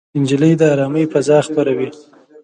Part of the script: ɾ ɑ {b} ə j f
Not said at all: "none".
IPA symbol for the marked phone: m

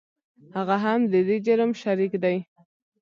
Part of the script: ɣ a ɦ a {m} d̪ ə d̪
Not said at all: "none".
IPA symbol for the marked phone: m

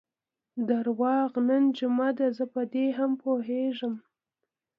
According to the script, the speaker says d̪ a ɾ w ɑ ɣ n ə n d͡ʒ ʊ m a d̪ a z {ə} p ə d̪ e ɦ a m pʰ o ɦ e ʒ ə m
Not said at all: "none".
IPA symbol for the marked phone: ə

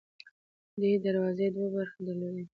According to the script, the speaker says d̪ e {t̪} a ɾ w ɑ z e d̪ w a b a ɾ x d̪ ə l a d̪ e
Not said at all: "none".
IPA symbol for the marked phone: d̪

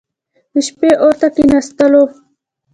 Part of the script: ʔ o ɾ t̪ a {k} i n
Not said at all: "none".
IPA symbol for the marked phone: k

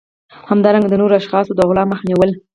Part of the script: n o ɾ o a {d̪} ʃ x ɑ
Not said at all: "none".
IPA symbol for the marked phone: none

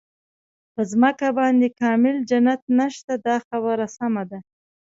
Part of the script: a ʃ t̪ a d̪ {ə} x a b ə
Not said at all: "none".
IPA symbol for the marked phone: ɑ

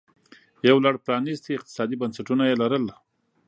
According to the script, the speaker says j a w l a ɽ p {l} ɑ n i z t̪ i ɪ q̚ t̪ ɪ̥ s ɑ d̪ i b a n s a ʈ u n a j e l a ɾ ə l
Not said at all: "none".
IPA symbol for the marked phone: ɾ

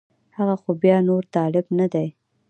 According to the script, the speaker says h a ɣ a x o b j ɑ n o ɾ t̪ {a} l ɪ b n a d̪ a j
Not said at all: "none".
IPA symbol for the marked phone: ɑ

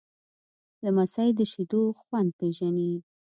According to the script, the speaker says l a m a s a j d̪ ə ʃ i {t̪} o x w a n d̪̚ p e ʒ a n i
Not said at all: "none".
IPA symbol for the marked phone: d̪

